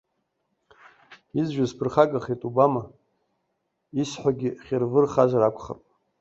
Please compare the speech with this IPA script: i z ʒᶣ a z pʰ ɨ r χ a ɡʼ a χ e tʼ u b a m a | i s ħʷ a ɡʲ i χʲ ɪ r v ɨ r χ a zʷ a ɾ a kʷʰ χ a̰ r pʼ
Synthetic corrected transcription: i z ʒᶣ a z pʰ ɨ r χ a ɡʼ a χ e tʼ u b a m a | i s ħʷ a ɡʲ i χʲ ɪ r v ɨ r χ a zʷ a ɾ a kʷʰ χ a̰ r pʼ